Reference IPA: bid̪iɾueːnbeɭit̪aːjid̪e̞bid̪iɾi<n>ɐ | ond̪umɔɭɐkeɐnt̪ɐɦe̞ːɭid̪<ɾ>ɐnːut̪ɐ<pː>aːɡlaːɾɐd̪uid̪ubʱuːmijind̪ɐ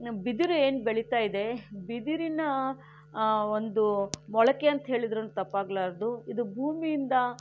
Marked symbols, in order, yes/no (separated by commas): yes, yes, yes